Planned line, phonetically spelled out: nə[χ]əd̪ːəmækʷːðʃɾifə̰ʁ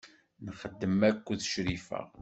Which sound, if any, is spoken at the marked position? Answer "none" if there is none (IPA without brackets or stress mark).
χ